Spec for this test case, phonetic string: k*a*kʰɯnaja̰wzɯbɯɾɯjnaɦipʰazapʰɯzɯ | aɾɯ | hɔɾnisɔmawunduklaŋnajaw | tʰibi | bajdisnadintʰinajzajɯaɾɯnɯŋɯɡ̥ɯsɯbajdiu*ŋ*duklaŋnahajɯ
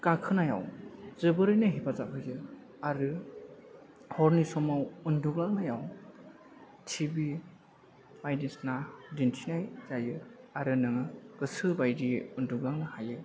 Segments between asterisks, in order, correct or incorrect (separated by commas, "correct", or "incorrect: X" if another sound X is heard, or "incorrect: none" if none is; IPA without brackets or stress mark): correct, incorrect: n